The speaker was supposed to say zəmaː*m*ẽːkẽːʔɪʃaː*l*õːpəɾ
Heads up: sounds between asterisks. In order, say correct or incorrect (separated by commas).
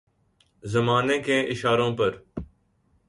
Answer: incorrect, incorrect